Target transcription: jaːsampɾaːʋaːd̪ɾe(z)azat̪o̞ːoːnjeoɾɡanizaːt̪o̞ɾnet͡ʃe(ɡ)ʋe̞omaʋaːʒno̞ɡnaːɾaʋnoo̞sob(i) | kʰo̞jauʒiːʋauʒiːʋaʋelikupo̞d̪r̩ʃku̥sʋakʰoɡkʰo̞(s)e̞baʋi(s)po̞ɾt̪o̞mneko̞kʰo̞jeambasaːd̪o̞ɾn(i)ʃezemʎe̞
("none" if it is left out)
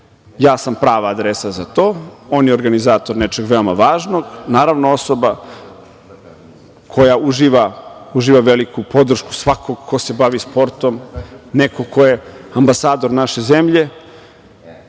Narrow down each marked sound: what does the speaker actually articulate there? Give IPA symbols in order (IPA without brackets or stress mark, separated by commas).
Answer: s, ɡ, a, s, s, a